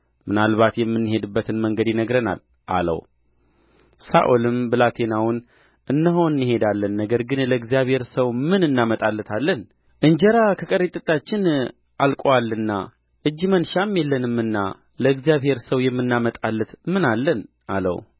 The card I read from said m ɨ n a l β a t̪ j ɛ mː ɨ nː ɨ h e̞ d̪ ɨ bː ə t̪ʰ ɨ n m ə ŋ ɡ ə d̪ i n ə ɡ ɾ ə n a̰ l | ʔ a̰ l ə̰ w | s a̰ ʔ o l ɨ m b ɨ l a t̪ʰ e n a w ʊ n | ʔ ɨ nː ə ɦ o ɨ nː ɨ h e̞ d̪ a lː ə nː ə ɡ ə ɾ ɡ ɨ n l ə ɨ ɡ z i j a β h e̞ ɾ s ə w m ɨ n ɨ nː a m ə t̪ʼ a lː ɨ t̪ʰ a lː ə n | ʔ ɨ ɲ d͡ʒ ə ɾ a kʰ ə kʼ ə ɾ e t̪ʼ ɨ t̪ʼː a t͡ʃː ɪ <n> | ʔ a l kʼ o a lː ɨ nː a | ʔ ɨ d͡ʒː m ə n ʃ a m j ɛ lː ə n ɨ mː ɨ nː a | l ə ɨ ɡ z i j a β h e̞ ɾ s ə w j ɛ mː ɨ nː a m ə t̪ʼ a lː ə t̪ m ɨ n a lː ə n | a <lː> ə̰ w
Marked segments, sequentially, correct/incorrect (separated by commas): correct, incorrect